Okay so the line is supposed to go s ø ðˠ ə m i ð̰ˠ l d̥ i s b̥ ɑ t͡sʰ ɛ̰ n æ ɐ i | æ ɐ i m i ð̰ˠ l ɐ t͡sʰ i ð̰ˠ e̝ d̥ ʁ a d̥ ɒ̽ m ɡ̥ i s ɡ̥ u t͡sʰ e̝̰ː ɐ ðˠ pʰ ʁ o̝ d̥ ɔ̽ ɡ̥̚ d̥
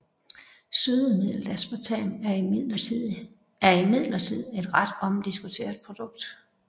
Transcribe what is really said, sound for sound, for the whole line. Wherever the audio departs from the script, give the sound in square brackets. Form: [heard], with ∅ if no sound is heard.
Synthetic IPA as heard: s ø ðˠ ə m i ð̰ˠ l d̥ [æ] s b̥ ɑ t͡sʰ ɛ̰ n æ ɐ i | æ ɐ i m i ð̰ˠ l ɐ t͡sʰ i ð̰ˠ e̝ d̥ ʁ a d̥ ɒ̽ m [d̥] i s ɡ̥ u t͡sʰ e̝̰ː ɐ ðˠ pʰ ʁ o̝ d̥ ɔ̽ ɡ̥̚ d̥